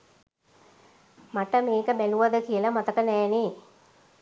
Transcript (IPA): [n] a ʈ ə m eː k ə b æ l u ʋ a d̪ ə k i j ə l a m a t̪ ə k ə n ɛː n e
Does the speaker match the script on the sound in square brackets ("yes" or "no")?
no